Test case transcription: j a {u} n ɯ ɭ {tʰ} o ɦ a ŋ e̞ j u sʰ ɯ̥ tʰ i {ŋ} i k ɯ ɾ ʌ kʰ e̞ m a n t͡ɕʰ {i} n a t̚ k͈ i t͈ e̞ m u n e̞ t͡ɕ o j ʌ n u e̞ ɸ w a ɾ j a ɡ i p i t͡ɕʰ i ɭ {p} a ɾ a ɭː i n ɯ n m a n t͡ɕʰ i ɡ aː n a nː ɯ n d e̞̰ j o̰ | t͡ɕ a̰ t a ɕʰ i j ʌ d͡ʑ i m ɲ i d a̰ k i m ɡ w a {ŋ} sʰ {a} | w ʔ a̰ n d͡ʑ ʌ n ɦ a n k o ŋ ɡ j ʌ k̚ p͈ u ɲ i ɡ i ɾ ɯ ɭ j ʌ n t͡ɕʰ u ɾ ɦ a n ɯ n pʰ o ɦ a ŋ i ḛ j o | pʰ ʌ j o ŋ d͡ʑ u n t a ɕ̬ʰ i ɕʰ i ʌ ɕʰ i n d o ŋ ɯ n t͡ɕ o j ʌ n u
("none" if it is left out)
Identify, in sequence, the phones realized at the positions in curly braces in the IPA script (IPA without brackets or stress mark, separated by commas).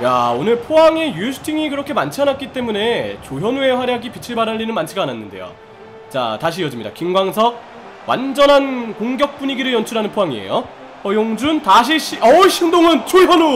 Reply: o, pʰ, ŋ, a, b, ŋ, ʌ